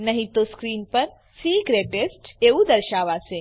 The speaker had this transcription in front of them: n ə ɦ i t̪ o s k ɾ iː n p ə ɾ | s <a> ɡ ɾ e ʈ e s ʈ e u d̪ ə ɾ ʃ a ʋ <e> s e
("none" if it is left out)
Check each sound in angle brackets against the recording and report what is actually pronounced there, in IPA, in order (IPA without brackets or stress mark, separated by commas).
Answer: i, a